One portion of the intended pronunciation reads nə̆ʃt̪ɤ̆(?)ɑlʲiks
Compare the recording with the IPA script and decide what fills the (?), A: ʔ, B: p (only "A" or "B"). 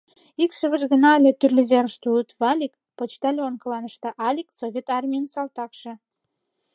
A